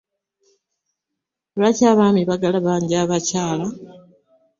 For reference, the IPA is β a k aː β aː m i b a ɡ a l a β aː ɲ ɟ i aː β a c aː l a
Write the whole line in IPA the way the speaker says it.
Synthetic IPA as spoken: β a c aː β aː m i β a ɡ a l a β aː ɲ ɟ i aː β a c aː l a